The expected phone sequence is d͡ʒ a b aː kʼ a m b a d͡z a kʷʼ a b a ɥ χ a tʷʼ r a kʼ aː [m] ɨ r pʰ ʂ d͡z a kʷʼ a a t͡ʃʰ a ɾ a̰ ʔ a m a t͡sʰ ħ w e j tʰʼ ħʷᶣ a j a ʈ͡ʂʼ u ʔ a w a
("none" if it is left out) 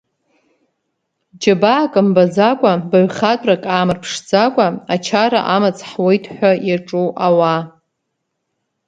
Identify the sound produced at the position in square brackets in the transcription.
m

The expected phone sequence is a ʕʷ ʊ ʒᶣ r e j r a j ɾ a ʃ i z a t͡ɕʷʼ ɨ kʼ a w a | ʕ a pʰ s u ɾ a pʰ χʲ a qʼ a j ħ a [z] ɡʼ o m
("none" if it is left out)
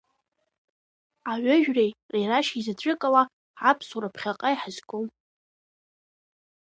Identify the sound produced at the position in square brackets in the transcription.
z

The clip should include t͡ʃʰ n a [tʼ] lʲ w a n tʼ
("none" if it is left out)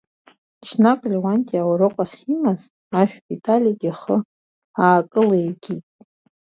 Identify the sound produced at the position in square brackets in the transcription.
kʼ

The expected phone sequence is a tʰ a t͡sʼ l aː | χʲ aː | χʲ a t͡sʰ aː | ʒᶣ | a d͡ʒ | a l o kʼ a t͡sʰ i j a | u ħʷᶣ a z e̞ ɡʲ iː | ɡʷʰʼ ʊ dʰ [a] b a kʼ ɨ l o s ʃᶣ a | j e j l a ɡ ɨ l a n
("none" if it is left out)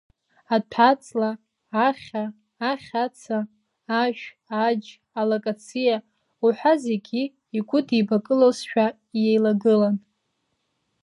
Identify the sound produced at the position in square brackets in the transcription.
i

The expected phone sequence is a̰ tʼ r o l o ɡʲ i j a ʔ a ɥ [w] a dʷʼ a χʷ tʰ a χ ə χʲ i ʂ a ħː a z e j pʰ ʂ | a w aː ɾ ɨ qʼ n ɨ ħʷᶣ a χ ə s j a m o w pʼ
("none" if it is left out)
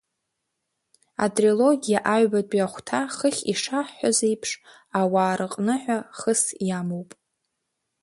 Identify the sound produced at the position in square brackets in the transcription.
b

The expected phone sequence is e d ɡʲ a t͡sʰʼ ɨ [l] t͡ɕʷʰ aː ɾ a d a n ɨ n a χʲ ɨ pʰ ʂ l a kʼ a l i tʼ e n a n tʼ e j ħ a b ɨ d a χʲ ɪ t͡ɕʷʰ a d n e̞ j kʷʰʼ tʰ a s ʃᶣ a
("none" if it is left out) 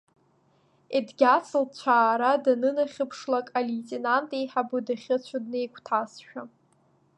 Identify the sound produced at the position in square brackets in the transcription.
l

